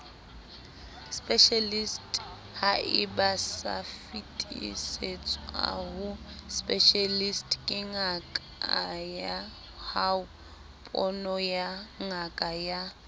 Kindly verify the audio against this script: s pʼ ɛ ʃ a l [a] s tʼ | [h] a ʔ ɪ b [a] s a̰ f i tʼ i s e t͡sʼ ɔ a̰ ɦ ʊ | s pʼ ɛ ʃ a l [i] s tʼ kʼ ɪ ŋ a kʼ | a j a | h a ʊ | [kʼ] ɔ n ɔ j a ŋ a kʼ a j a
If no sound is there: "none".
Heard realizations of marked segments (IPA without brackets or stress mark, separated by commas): i, h, a, i, pʼ